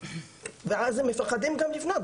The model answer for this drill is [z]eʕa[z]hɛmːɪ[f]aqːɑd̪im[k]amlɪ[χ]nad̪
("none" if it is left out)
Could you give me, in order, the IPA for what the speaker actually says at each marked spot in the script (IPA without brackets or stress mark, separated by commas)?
v, z, f, ɡ, f